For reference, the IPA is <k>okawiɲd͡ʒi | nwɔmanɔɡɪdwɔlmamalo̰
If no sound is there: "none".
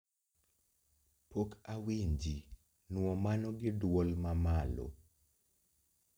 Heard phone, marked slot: p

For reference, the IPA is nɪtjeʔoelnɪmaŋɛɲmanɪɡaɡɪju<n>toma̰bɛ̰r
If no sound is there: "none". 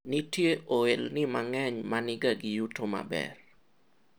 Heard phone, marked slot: none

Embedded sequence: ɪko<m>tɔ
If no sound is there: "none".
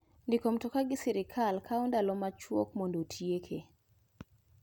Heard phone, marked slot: m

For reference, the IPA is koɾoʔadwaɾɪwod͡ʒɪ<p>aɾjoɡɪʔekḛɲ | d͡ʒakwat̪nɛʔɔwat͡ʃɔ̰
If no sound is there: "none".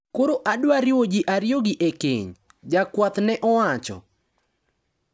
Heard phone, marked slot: ʔ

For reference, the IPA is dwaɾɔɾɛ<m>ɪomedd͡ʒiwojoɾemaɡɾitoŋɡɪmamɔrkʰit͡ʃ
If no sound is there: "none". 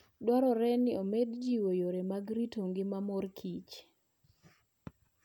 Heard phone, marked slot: n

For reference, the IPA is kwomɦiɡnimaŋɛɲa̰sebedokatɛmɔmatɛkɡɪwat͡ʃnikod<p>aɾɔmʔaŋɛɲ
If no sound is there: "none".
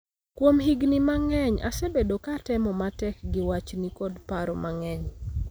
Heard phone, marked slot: p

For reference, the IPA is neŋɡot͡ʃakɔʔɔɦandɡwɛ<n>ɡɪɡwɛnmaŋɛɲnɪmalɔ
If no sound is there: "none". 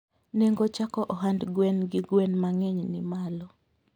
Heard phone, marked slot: n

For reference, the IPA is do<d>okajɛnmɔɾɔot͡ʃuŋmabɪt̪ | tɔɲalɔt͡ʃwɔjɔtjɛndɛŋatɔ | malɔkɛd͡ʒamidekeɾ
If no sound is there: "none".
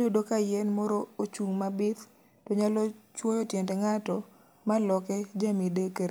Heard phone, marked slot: d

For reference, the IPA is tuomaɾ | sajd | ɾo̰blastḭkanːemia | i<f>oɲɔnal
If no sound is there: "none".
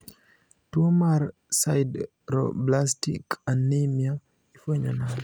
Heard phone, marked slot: f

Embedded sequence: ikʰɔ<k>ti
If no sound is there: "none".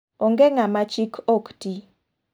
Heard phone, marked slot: k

